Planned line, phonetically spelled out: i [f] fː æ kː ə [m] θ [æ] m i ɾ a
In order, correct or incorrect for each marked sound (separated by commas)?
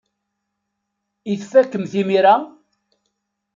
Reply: incorrect, correct, incorrect